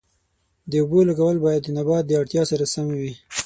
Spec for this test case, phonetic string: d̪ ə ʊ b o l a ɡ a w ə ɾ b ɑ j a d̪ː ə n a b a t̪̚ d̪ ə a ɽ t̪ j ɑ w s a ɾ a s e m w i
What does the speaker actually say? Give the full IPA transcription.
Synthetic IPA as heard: d̪ ə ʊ b o l a ɡ a w ə l b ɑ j a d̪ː ə n a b ɑ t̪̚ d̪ ə a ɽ t̪ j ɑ s a ɾ a s a m w i